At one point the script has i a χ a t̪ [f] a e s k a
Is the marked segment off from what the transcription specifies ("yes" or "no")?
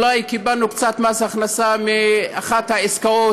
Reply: yes